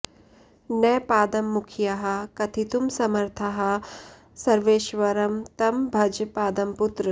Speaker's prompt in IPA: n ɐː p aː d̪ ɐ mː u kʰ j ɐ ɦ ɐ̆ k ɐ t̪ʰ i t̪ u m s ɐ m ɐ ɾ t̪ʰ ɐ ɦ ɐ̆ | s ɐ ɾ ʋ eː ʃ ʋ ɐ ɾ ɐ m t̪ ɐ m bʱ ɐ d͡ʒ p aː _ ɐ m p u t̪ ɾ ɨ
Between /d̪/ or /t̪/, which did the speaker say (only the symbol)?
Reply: d̪